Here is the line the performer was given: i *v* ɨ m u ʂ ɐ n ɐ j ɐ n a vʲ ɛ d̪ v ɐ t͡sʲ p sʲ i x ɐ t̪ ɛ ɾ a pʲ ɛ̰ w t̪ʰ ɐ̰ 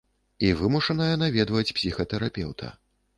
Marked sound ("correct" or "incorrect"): correct